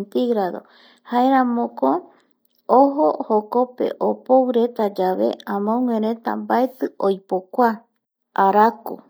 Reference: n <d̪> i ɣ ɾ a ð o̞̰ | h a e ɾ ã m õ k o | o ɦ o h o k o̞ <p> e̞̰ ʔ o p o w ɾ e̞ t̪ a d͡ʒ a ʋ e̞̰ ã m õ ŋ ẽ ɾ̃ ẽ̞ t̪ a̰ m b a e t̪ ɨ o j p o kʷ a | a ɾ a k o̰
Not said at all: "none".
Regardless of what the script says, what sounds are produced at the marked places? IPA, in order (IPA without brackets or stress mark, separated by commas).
t̪, p